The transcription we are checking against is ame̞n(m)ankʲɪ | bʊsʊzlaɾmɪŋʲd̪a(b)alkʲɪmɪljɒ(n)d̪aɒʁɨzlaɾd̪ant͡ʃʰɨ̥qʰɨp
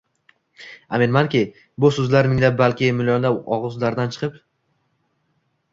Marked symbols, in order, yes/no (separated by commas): yes, yes, yes